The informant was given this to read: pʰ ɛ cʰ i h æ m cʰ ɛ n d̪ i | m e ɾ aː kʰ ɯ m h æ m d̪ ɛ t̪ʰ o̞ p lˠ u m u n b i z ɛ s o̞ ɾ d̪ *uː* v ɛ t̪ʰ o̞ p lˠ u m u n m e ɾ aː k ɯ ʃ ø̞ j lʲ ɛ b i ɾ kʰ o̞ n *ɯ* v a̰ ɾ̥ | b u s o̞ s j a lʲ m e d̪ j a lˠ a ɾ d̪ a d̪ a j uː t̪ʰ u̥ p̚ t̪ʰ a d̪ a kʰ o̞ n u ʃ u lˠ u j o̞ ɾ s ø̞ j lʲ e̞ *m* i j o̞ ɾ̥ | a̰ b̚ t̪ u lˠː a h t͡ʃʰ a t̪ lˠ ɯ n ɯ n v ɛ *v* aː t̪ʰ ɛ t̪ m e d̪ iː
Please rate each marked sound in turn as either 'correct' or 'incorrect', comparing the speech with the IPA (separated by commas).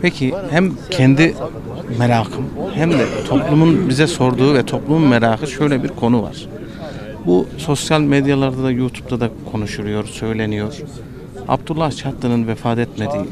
correct, incorrect, incorrect, incorrect